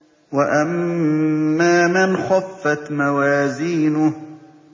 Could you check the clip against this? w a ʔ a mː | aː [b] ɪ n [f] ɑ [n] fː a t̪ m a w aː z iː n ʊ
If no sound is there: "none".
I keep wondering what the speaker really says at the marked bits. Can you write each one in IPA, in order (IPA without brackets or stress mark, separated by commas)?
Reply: m, x, none